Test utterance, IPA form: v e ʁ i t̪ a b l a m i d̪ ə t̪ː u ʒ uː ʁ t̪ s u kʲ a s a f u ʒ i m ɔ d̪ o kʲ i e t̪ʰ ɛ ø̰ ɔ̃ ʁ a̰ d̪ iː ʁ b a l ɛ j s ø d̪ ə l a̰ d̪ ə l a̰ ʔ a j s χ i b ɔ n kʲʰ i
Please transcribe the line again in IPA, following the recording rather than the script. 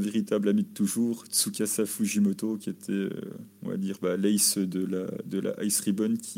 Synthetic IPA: v e ʁ i t̪ a b l a m i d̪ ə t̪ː u ʒ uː ʁ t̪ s u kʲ a s a f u ʒ i m ɔ t̪ o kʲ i e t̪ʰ ɛ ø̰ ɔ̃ v a̰ d̪ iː ʁ b a l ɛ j s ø d̪ ə l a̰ d̪ ə l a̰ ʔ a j s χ i b ɔ n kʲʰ i